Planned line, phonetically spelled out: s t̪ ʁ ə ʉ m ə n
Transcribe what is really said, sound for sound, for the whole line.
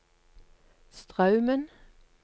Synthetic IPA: s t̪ ʁ ɑ ʉ m ə n